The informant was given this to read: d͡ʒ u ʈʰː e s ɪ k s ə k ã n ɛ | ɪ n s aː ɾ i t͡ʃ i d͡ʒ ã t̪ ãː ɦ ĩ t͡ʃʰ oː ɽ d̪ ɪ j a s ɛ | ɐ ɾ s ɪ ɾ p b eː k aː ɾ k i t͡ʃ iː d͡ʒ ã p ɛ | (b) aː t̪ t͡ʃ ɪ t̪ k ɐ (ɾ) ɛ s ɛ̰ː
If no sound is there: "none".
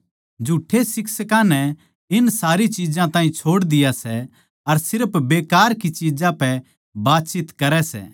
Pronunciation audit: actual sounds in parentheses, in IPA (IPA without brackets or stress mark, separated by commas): b, ɾ